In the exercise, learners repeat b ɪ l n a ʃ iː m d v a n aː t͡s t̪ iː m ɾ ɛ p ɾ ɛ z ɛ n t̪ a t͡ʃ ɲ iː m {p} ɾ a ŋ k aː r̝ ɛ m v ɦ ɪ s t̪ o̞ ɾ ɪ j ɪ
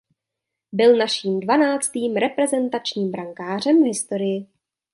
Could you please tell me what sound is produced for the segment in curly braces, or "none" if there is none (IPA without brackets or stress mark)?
b